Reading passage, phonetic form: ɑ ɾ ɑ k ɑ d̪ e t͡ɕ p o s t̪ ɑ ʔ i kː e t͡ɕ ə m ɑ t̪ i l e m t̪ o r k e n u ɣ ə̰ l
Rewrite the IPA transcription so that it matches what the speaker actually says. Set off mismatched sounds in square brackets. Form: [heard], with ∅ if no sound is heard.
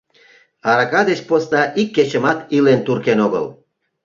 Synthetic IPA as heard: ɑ ɾ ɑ k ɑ d̪ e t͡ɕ p o s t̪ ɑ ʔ i kː e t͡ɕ ə m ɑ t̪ i l e [n] t̪ [u] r k e n [o] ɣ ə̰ l